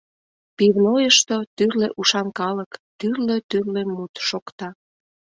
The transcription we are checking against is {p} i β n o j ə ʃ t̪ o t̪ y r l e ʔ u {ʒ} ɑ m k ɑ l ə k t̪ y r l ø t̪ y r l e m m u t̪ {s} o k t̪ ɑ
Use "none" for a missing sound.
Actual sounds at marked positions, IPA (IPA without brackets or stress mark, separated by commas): p, ʃ, ʃ